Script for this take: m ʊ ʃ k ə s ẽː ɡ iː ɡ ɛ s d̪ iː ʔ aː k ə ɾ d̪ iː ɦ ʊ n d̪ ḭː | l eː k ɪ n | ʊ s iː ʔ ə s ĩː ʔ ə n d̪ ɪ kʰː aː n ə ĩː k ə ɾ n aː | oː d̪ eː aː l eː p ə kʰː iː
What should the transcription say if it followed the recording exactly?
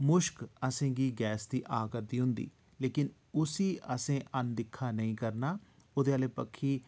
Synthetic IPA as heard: m ʊ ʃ k ə s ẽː ɡ iː ɡ ɛː s d̪ iː ʔ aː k ə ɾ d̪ iː ɦ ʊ n d̪ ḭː | l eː k ɪ n | ʊ s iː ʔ ə s ẽː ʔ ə n d̪ ɪ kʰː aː n ə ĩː k ə ɾ n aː | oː d̪ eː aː l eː p ə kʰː iː